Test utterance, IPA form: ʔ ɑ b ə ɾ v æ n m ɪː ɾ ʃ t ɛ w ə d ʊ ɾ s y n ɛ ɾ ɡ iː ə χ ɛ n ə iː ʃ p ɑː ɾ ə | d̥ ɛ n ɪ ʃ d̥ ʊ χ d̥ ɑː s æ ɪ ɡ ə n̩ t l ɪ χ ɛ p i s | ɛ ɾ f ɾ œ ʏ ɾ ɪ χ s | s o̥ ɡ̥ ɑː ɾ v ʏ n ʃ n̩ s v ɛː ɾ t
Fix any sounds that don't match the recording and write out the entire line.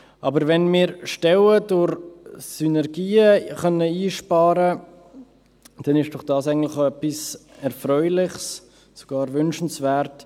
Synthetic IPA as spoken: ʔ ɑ b ə ɾ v ɛ n m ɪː ɾ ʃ t ɛ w ə d ʊ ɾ s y n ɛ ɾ ɡ iː ə χ œ n ə iː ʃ p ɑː ɾ ə | d̥ ɛ n ɪ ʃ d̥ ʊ χ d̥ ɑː s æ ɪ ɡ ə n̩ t l ɪ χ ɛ p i s | ɛ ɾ f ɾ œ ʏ l ɪ χ s | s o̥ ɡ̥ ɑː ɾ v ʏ n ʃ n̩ s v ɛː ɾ t